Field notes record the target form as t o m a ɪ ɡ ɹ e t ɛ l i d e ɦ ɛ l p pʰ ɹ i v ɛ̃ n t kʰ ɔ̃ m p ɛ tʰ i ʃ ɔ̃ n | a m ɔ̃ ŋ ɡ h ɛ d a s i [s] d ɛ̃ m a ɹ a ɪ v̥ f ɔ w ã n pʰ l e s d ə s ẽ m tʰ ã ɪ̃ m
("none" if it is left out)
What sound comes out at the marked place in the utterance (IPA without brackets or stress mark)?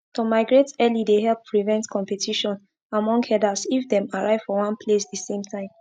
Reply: f